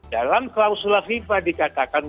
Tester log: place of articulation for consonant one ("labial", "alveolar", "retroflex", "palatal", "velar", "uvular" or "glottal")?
alveolar